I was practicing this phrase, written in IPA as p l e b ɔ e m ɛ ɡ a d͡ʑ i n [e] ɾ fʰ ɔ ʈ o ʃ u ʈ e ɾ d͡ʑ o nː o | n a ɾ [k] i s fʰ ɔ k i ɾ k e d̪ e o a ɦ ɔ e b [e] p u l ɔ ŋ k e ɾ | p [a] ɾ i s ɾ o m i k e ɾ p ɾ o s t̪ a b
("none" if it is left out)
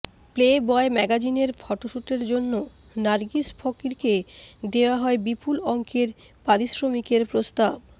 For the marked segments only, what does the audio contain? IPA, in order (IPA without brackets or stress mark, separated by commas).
e, ɡ, i, a